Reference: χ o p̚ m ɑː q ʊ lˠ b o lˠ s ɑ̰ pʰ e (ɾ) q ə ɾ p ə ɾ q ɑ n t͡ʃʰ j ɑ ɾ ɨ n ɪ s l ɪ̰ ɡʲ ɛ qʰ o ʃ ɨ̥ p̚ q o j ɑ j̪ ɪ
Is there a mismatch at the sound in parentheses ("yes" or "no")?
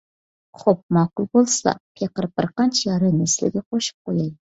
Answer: yes